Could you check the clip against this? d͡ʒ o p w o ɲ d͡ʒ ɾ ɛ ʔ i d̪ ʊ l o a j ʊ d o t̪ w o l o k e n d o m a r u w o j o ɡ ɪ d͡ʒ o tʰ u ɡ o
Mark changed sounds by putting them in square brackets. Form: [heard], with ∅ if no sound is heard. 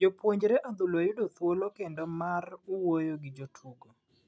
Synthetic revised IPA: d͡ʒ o p w o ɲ d͡ʒ ɾ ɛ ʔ [a] d̪ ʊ l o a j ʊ d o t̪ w o l o k e n d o m a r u w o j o ɡ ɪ d͡ʒ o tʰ u ɡ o